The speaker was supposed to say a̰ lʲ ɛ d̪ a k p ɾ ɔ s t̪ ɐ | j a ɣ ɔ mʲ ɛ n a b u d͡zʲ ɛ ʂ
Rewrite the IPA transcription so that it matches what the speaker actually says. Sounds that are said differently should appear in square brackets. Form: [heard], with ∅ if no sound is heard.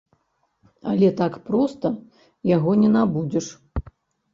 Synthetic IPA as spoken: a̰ lʲ ɛ [t̪] a k p ɾ ɔ s t̪ ɐ | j a ɣ ɔ [nʲ] ɛ n a b u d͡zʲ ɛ ʂ